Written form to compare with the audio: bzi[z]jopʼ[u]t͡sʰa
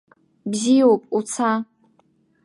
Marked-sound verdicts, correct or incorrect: incorrect, correct

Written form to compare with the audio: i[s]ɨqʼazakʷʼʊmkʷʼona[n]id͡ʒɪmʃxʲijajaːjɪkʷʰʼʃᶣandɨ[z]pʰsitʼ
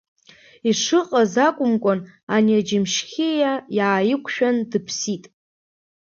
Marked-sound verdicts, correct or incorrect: incorrect, correct, incorrect

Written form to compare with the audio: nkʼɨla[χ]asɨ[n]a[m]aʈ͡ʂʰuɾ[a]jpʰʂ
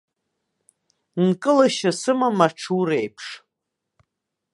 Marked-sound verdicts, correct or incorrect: incorrect, incorrect, correct, incorrect

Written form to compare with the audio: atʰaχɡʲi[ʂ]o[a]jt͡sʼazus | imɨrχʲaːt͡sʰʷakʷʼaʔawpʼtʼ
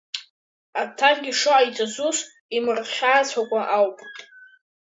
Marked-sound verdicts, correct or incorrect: correct, correct

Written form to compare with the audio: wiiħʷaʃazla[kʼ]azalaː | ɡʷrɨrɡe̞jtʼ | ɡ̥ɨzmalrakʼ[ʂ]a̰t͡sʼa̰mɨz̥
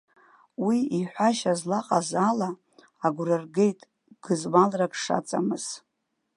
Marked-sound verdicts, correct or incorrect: incorrect, correct

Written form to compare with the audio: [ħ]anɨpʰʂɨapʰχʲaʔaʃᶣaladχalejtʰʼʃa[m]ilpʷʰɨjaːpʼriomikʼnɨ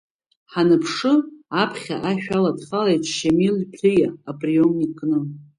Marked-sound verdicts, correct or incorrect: correct, correct

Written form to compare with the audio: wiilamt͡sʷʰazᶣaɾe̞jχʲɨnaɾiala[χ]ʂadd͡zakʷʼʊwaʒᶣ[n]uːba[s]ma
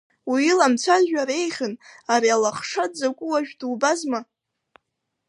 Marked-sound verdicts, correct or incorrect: correct, incorrect, incorrect

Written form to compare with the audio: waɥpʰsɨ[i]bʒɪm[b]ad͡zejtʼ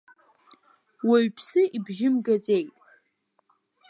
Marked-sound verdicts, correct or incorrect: correct, incorrect

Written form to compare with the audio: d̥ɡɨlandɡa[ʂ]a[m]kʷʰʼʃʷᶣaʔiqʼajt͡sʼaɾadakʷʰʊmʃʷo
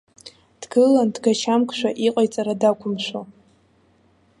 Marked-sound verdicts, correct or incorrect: incorrect, correct

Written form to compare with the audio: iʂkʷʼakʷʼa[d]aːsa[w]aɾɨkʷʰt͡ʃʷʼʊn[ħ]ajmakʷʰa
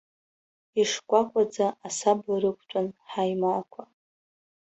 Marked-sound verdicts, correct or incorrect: incorrect, incorrect, correct

